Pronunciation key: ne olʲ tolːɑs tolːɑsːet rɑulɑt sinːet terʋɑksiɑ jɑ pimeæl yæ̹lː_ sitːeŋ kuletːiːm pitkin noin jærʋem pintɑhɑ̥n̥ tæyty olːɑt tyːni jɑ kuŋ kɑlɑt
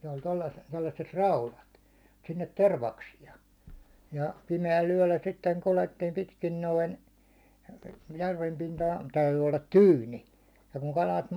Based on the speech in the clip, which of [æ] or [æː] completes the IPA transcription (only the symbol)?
æ